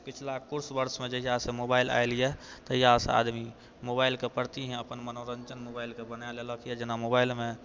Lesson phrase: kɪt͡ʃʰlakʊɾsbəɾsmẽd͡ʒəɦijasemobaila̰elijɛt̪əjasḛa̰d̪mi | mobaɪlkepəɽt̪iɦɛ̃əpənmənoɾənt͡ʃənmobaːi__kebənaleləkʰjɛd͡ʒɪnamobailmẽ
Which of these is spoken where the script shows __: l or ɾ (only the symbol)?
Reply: l